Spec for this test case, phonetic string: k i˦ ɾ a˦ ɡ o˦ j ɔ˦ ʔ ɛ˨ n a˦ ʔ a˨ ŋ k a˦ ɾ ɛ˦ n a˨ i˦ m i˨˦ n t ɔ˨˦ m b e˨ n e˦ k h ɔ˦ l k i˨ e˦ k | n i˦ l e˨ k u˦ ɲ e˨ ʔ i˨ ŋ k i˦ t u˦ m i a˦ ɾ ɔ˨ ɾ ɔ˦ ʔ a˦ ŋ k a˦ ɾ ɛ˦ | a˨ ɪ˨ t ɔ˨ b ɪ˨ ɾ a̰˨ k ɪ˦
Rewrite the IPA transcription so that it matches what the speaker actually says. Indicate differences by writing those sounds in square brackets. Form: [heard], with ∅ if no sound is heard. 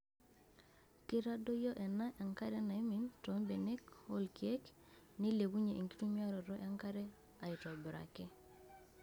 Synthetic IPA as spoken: k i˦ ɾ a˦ [d] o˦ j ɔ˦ ʔ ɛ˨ n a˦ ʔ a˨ ŋ k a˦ ɾ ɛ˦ n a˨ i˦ m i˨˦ n t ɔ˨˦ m b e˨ n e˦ k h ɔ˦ l k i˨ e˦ k | n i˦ l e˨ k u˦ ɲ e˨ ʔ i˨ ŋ k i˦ t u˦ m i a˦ ɾ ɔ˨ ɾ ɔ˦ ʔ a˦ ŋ k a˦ ɾ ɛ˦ | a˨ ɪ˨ t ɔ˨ b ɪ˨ ɾ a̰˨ k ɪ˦